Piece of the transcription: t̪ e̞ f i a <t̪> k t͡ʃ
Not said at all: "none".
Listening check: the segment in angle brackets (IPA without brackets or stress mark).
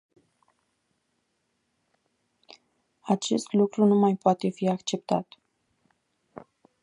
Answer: none